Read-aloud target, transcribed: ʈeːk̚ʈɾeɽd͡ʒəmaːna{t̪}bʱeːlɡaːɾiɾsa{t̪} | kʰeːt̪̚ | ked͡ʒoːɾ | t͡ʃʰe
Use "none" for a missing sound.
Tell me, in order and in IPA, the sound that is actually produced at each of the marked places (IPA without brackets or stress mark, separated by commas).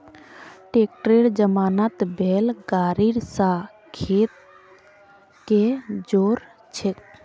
t̪, none